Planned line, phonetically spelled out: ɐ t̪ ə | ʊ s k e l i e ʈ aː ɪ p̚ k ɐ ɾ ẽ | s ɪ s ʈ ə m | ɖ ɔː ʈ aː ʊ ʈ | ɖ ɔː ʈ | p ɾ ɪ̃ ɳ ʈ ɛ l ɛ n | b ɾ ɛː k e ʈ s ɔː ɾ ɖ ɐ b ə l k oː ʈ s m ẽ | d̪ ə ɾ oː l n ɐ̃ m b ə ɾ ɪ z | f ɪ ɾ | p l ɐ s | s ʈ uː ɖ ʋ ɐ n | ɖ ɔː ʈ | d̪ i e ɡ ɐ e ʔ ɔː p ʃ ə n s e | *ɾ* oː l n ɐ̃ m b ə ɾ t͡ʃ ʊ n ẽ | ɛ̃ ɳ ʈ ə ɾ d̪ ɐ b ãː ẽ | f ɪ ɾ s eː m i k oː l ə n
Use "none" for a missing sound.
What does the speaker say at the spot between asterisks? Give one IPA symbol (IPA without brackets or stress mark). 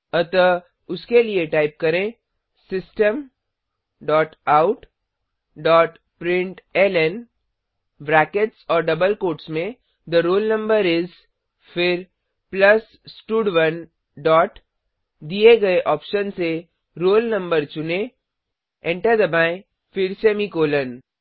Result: ɾ